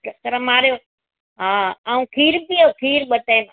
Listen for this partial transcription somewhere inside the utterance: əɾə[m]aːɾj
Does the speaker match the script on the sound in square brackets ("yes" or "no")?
yes